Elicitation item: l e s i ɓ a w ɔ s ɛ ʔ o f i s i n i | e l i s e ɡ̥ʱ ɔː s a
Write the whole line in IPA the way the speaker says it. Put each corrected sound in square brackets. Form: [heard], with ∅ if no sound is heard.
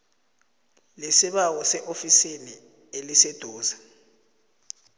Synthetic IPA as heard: l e s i ɓ a w ɔ s ɛ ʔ o f i s i n i | e l i s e [d̥ʱ] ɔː [z] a